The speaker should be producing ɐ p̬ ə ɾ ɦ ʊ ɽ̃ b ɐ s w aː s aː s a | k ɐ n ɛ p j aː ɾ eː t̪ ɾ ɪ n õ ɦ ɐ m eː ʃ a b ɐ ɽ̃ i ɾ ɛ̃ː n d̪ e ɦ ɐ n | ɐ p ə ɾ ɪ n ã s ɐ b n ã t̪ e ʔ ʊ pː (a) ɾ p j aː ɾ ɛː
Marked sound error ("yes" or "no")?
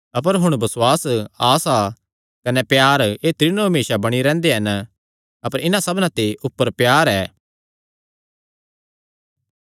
yes